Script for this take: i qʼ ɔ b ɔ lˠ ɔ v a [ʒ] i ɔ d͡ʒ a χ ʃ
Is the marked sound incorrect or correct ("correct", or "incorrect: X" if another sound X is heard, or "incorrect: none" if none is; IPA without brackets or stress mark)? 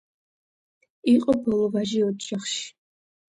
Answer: correct